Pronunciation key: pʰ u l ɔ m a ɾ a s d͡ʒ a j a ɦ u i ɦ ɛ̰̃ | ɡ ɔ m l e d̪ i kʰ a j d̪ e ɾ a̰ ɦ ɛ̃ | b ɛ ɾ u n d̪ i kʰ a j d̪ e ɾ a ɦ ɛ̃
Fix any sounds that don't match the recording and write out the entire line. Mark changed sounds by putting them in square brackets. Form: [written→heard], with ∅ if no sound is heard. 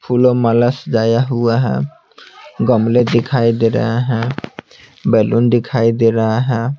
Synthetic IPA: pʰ u l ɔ m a [ɾ→l] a s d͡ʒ a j a ɦ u [i→a] ɦ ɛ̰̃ | ɡ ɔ m l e d̪ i kʰ a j d̪ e ɾ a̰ ɦ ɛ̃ | b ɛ [ɾ→l] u n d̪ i kʰ a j d̪ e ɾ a ɦ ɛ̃

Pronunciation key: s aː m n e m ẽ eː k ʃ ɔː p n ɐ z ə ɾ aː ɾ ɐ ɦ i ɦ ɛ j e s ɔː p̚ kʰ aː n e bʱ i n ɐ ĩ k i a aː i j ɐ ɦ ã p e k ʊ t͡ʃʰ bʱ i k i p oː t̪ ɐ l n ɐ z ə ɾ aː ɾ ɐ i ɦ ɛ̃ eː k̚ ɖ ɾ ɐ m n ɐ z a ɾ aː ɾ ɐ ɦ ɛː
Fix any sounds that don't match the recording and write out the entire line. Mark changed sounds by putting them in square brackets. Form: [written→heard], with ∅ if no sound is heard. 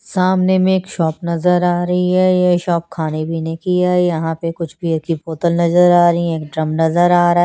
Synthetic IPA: s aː m n e m ẽ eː k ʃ ɔː p n ɐ z ə ɾ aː ɾ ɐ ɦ i ɦ ɛ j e [s→ʃ] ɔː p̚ kʰ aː n e bʱ i n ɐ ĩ k i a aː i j ɐ ɦ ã p e k ʊ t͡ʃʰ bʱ i k i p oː t̪ [ɐ→ə] l n ɐ z ə ɾ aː ɾ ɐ i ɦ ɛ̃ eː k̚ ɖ ɾ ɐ m n ɐ z [a→ə] ɾ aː ɾ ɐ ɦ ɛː

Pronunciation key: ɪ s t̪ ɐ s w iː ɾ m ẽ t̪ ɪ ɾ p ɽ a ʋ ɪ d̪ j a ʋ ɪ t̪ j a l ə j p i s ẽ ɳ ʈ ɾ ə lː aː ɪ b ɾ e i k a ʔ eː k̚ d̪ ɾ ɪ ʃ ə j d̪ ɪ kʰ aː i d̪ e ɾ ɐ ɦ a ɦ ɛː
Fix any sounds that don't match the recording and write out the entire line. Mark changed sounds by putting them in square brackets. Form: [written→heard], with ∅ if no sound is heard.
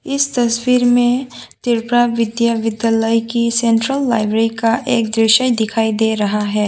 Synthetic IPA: ɪ s t̪ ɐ s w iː ɾ m ẽ t̪ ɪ ɾ p [ɽ→ɾ] a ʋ ɪ d̪ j a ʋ ɪ [t̪→d̪] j a l ə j [p→k] i s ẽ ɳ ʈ ɾ ə lː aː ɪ b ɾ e i k a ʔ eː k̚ d̪ ɾ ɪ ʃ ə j d̪ ɪ kʰ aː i d̪ e ɾ ɐ ɦ a ɦ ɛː

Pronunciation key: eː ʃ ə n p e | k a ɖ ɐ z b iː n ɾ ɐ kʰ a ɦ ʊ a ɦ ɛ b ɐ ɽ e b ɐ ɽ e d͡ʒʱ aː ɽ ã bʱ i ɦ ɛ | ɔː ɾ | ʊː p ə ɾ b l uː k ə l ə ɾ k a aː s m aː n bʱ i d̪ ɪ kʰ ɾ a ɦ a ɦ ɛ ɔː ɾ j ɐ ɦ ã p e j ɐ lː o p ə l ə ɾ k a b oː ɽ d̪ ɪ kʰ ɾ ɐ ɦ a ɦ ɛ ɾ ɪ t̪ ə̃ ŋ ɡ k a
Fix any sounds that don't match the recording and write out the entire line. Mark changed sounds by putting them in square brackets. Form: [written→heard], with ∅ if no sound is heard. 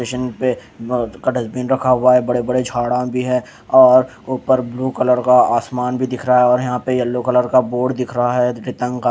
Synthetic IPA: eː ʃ ə n p e | k a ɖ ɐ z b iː n ɾ ɐ kʰ a ɦ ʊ a ɦ ɛ b ɐ ɽ e b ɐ ɽ e d͡ʒʱ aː ɽ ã bʱ i ɦ ɛ | ɔː ɾ | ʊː p ə ɾ b l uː k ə l ə ɾ k a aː s m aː n bʱ i d̪ ɪ kʰ ɾ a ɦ a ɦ ɛ ɔː ɾ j ɐ ɦ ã p e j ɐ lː o [p→k] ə l ə ɾ k a b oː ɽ d̪ ɪ kʰ ɾ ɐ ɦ a ɦ ɛ ɾ ɪ t̪ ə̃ ŋ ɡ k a

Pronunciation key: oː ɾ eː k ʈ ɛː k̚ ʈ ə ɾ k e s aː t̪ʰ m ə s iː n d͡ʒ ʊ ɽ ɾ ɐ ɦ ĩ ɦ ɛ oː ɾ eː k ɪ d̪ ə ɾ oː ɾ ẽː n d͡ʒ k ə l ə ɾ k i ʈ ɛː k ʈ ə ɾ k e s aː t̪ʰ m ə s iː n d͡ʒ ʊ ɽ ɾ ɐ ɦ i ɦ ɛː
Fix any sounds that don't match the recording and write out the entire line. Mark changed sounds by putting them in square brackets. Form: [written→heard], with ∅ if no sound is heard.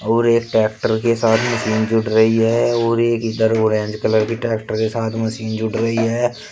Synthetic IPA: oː ɾ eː k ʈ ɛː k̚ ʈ ə ɾ k e s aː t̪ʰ m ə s iː n d͡ʒ ʊ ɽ ɾ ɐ ɦ [ĩ→i] ɦ ɛ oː ɾ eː k ɪ d̪ ə ɾ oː ɾ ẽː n d͡ʒ k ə l ə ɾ k i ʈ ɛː k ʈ ə ɾ k e s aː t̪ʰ m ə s iː n d͡ʒ ʊ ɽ ɾ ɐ ɦ i ɦ ɛː

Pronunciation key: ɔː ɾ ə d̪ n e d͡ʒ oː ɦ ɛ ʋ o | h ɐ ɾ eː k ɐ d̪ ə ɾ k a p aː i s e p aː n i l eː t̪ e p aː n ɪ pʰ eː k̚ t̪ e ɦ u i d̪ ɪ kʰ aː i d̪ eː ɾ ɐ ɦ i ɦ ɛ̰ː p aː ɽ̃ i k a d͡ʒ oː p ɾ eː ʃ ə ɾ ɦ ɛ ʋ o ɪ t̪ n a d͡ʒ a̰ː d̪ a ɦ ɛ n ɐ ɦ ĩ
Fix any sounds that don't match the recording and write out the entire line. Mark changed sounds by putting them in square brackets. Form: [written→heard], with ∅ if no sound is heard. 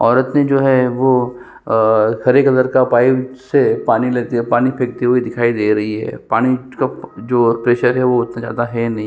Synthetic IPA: ɔː ɾ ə [d̪→t̪] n e d͡ʒ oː ɦ ɛ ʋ o | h ɐ ɾ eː k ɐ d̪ ə ɾ k a p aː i s e p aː n i l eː t̪ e p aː n [ɪ→i] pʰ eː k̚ t̪ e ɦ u i d̪ ɪ kʰ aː i d̪ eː ɾ ɐ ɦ i ɦ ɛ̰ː p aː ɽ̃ i k a d͡ʒ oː p ɾ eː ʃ ə ɾ ɦ ɛ ʋ o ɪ t̪ n a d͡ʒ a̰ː d̪ a ɦ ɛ n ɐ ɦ ĩ

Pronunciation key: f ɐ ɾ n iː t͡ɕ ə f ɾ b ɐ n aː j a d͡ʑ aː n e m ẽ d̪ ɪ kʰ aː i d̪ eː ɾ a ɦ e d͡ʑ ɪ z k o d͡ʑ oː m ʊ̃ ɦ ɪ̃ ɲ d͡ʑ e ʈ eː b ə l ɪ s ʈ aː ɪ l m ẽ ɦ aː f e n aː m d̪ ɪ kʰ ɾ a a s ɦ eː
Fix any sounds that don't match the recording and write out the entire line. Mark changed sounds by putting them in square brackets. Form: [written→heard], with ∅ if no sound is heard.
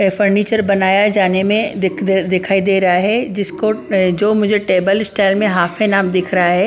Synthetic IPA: f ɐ ɾ n iː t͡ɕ ə [f→∅] ɾ b ɐ n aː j a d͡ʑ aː n e m ẽ d̪ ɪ kʰ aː i d̪ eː ɾ a ɦ e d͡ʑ ɪ [z→s] k o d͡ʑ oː m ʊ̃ ɦ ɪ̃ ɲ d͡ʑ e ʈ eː b ə l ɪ s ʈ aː ɪ l m ẽ ɦ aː f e n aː m d̪ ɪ kʰ ɾ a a [s→∅] ɦ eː

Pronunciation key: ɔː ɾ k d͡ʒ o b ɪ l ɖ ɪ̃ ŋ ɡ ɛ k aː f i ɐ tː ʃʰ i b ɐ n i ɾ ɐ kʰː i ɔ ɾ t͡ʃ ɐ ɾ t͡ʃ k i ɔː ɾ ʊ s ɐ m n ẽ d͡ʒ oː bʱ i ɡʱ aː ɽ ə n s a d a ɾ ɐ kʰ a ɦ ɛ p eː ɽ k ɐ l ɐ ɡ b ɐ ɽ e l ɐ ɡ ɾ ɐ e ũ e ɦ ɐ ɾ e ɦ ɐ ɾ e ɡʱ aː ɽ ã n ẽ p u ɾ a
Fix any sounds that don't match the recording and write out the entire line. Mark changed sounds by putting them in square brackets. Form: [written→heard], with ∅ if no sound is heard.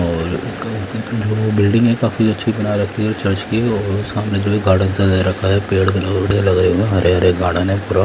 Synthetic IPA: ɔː ɾ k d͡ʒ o b ɪ l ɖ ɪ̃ ŋ ɡ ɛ k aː f i ɐ tː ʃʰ i b ɐ n [i→a] ɾ ɐ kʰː i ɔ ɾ t͡ʃ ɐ ɾ t͡ʃ k i ɔː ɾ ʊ s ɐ m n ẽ d͡ʒ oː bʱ i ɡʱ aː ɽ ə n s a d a ɾ ɐ kʰ a ɦ ɛ p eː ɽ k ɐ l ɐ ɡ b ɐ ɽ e l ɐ ɡ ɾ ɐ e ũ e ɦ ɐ ɾ e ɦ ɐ ɾ e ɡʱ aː ɽ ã n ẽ p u ɾ a

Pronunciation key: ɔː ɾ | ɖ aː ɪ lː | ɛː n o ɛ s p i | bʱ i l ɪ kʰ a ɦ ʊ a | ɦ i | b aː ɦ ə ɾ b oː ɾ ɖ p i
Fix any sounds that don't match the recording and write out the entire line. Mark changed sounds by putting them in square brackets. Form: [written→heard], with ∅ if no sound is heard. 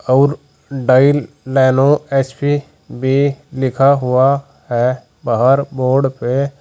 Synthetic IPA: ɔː ɾ | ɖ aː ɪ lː | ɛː n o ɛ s p i | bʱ i l ɪ kʰ a ɦ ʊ a | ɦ [i→ɛ] | b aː ɦ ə ɾ b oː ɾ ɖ p [i→e]

